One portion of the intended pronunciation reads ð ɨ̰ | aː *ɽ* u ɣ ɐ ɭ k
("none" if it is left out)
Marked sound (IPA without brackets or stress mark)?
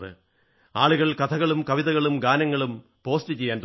ɭ